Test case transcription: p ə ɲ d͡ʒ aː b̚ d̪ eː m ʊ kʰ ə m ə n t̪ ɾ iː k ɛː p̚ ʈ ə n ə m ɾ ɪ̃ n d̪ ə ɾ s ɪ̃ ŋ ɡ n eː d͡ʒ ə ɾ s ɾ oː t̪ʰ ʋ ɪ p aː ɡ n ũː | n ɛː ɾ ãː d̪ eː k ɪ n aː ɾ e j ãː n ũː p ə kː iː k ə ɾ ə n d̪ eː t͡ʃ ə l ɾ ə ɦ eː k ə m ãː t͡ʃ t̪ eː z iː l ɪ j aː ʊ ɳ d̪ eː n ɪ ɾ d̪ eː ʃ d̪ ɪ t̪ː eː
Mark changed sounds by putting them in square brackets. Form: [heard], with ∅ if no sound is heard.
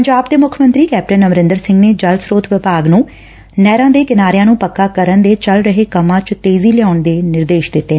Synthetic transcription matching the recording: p ə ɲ d͡ʒ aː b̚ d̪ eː m ʊ kʰ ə m ə n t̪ ɾ iː k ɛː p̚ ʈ ə n ə m ɾ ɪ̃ n d̪ ə ɾ s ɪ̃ ŋ ɡ n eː d͡ʒ ə [l] s ɾ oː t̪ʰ ʋ ɪ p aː ɡ n ũː | n ɛː ɾ ãː d̪ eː k ɪ n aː ɾ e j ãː n ũː p ə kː [aː] k ə ɾ ə n d̪ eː t͡ʃ ə l ɾ ə ɦ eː k ə m ãː t͡ʃ t̪ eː z iː l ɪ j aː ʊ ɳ d̪ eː n ɪ ɾ d̪ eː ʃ d̪ ɪ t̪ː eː